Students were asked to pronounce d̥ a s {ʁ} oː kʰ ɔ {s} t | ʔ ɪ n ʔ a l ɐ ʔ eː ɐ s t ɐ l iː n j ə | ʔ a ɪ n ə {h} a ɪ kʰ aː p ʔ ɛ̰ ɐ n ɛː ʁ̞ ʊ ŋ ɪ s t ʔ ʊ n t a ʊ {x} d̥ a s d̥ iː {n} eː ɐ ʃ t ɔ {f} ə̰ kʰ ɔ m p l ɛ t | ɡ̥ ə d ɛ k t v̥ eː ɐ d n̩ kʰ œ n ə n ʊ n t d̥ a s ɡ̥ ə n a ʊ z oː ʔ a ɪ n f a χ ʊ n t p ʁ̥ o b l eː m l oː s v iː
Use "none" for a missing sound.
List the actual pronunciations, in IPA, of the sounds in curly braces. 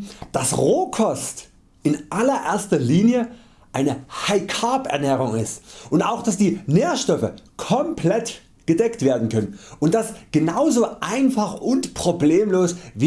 ʁ, s, h, x, n, f

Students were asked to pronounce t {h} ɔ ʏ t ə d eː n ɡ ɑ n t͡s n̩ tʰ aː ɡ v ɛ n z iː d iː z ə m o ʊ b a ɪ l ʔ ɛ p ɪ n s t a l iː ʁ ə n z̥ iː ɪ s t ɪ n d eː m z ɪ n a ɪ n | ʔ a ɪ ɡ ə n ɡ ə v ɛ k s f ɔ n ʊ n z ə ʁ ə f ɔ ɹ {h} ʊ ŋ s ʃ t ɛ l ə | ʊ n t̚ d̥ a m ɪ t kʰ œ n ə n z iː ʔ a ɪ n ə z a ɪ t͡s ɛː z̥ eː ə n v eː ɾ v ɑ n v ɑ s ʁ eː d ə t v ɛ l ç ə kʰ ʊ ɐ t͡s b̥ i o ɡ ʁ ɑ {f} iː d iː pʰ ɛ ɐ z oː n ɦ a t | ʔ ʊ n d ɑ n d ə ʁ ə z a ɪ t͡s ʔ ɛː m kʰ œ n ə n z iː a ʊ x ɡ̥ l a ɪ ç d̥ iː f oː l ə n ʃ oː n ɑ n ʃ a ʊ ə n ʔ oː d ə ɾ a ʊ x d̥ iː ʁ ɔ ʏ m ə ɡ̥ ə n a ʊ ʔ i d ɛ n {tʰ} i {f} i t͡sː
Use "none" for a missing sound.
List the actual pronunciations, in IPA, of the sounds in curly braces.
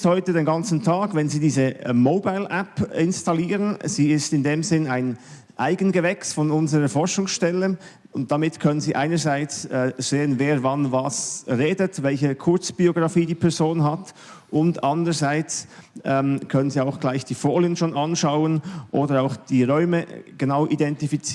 h, ʃ, f, t, f

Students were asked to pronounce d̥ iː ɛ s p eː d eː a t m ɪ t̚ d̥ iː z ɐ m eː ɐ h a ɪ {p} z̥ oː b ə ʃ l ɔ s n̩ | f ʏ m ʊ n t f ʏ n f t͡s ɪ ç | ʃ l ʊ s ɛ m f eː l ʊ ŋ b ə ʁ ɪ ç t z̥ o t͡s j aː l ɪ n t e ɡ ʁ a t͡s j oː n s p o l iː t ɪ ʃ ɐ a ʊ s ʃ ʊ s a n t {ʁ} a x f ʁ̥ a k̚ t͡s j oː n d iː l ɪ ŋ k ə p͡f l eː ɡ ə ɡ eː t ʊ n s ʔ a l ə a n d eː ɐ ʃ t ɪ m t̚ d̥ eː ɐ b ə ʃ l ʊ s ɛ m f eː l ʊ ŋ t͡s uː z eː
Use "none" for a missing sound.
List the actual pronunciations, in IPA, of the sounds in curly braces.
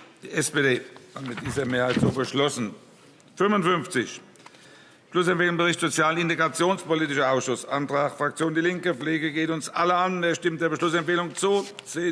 t, ʁ

